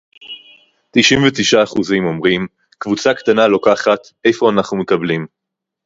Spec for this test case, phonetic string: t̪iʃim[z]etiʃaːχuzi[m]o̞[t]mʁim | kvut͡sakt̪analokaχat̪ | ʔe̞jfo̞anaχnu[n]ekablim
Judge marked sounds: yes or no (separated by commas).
no, yes, no, no